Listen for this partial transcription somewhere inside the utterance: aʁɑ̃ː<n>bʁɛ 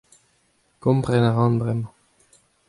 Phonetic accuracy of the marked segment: correct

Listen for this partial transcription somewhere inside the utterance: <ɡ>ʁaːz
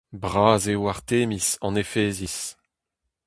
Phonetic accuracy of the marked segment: incorrect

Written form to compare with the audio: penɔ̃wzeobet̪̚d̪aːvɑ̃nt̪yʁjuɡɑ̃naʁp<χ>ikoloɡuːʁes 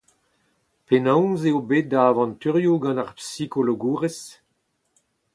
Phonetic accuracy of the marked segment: incorrect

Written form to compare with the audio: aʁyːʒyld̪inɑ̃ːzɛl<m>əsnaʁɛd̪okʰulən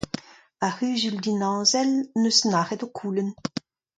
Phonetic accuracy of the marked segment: incorrect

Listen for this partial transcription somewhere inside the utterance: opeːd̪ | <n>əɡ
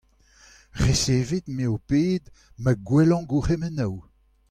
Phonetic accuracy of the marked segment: incorrect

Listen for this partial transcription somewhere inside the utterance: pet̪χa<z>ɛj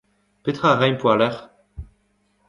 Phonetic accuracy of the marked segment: incorrect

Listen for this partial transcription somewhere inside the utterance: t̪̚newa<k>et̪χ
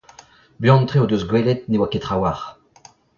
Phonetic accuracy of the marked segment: correct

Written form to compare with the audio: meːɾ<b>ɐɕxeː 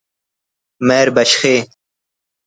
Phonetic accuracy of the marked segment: correct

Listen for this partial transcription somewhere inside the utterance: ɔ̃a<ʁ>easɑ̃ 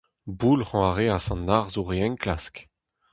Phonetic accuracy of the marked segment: correct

